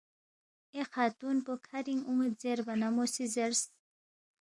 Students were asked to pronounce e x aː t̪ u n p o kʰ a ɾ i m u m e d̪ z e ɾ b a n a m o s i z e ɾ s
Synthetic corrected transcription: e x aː t̪ u n p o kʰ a ɾ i ŋ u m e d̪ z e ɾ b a n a m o s i z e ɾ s